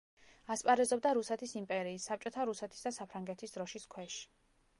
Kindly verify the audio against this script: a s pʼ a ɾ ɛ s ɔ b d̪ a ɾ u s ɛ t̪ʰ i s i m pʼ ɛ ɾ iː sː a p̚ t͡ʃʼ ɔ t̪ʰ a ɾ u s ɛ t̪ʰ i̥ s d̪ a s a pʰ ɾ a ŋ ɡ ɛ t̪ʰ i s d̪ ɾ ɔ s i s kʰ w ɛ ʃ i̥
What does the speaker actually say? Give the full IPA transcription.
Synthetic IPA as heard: a s pʼ a ɾ ɛ z ɔ b d̪ a ɾ u s ɛ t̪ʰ i s i m pʼ ɛ ɾ iː sː a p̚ t͡ʃʼ ɔ t̪ʰ a ɾ u s ɛ t̪ʰ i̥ s d̪ a s a pʰ ɾ a ŋ ɡ ɛ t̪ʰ i s d̪ ɾ ɔ ʃ i s kʰ w ɛ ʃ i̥